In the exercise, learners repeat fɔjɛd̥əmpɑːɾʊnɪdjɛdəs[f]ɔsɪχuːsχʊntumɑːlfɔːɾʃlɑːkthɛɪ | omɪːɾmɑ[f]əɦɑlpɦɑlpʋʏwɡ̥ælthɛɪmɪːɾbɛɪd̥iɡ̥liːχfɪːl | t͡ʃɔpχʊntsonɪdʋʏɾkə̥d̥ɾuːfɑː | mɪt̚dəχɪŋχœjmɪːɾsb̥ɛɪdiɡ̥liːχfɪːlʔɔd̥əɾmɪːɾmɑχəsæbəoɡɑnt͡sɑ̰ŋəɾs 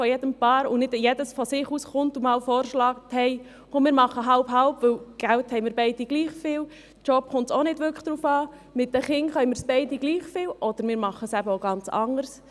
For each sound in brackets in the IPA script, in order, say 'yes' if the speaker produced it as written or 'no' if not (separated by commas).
yes, no